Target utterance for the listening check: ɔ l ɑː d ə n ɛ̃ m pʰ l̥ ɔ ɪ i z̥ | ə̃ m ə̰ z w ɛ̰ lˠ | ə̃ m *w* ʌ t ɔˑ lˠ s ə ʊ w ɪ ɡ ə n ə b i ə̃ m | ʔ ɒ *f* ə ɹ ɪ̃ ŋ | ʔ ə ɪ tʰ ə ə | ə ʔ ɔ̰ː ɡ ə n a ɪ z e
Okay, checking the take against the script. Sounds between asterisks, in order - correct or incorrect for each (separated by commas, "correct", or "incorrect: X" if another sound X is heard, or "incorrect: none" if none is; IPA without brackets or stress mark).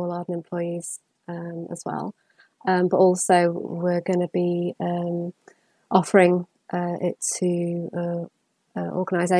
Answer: incorrect: b, correct